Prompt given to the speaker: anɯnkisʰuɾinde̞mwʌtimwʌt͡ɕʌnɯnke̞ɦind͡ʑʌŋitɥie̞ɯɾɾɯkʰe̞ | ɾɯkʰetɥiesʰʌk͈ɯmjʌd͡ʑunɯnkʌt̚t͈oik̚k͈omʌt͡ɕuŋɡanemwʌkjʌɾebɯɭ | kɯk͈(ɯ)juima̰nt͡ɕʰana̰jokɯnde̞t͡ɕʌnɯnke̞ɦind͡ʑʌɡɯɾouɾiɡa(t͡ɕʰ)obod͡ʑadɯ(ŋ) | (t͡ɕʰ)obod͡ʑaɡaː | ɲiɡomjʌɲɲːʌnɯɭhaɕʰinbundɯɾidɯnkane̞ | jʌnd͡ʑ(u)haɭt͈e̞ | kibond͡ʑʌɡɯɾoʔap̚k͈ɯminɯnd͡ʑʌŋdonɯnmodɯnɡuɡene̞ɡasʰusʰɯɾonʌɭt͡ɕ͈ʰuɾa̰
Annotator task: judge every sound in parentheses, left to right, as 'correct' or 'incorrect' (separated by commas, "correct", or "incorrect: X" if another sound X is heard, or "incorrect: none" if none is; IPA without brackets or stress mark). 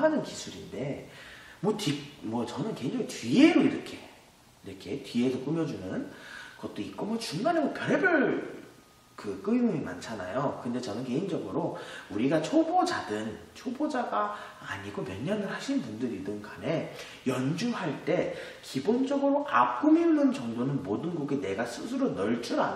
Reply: correct, correct, incorrect: n, correct, correct